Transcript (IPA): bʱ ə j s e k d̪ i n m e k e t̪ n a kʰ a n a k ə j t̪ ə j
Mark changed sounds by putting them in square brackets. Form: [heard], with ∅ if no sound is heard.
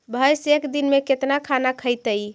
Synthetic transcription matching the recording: bʱ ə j s e k d̪ i n m e k e t̪ n a kʰ a n a [kʰ] ə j t̪ ə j